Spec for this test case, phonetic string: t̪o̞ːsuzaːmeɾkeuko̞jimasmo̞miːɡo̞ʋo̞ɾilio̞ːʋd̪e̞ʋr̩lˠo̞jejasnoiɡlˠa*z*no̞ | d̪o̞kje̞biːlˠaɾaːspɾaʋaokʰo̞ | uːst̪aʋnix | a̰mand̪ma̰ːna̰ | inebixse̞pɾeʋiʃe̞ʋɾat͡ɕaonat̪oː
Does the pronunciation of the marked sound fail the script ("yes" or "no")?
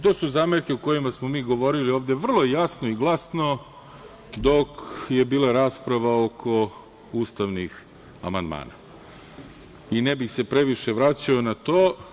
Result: yes